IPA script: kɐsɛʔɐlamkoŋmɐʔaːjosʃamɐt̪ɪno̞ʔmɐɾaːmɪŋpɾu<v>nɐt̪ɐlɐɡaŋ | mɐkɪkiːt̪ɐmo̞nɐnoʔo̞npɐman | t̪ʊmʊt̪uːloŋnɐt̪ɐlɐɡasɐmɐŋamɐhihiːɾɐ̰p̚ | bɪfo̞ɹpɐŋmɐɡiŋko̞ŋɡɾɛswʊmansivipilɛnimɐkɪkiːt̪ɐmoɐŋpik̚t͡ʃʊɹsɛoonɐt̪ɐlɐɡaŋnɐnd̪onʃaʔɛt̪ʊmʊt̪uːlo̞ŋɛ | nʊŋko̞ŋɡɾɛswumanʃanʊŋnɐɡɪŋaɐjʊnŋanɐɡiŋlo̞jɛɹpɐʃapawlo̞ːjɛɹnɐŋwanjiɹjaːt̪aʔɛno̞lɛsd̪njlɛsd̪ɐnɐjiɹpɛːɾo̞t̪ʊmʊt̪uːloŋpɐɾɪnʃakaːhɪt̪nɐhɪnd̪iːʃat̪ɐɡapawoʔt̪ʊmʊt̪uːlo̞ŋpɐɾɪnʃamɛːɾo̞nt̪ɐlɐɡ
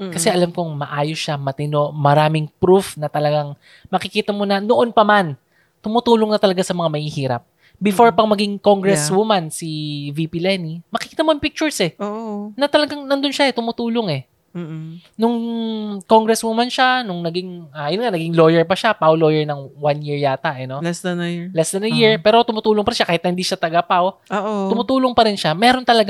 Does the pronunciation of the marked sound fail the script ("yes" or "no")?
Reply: yes